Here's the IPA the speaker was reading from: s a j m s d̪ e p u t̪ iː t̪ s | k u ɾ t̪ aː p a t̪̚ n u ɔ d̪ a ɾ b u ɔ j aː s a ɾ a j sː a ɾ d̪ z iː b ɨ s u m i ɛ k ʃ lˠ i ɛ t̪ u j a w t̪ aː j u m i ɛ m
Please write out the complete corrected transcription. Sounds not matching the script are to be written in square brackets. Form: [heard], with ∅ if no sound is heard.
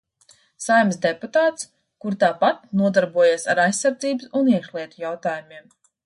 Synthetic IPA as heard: s a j m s d̪ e p u t̪ [aː] t̪ s | k u ɾ t̪ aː p a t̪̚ n u ɔ d̪ a ɾ b u ɔ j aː s a ɾ a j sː a ɾ d̪ z iː b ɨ s u [n] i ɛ k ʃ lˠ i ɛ t̪ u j a w t̪ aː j u m i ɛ m